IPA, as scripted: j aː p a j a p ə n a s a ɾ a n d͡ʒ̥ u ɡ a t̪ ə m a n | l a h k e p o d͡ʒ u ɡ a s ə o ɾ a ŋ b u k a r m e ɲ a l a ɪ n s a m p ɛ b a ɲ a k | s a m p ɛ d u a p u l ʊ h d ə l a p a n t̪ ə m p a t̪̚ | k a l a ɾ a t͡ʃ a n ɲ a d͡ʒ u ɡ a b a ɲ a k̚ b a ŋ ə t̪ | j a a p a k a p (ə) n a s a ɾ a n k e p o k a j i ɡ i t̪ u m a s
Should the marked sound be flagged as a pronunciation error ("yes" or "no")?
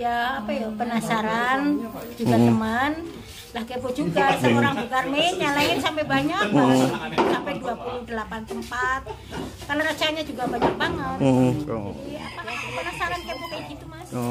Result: no